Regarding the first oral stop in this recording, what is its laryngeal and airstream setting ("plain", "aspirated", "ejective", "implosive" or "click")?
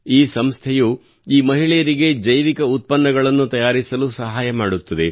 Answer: aspirated